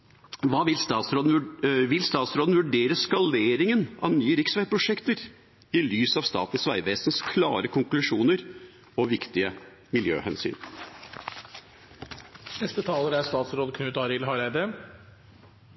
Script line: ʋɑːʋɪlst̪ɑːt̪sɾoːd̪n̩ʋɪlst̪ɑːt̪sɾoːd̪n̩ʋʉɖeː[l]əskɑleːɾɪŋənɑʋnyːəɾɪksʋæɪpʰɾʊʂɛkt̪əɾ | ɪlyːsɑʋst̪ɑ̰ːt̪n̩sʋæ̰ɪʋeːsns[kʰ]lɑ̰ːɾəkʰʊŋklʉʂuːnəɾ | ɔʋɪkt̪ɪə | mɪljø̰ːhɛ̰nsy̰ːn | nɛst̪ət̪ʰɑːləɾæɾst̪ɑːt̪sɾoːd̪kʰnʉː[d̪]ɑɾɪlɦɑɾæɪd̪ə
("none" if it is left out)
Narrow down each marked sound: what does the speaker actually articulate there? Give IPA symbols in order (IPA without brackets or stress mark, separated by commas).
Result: ɾ, kʰ, t̪